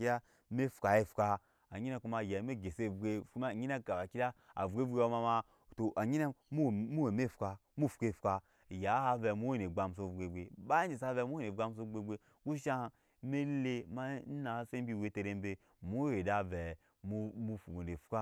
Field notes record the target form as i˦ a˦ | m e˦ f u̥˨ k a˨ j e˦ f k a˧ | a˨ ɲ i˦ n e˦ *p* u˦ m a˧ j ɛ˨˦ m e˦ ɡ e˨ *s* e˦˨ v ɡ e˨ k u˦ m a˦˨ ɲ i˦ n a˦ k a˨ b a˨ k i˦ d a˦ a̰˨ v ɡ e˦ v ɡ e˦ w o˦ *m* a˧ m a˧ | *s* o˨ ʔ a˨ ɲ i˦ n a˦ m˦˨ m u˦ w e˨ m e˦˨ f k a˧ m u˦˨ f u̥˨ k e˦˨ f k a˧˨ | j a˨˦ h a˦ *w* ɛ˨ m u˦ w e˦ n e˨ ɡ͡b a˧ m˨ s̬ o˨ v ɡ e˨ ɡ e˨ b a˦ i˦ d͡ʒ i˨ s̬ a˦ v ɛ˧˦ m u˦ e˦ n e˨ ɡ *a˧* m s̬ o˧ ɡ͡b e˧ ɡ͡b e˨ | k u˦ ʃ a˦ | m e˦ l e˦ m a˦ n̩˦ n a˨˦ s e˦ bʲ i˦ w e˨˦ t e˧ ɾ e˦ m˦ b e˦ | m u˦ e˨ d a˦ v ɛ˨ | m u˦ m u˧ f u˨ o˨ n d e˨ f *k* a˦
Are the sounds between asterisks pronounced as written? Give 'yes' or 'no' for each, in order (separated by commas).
no, yes, yes, no, no, yes, yes